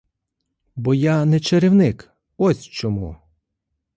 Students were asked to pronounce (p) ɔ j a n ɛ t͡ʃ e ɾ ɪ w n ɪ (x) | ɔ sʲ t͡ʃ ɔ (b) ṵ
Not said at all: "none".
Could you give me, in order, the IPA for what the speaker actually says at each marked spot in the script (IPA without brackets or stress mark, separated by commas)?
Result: b, k, m